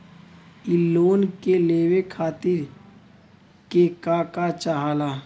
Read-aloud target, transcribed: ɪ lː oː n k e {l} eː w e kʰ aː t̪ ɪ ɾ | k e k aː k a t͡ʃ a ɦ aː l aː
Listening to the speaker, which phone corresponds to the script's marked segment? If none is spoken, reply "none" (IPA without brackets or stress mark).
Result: l